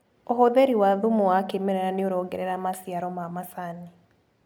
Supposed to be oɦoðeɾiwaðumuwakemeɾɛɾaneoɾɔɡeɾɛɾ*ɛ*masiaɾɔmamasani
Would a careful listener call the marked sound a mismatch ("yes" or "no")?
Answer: yes